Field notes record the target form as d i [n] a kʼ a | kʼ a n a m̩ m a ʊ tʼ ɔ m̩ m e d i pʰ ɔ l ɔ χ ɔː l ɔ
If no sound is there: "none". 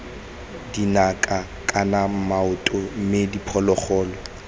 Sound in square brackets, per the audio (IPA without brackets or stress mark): n